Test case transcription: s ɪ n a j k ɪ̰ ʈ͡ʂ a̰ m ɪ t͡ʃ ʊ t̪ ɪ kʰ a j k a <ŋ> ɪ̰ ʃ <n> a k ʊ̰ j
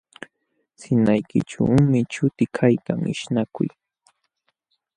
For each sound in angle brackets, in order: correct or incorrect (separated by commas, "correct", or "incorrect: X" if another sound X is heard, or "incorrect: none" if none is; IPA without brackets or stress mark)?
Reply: correct, correct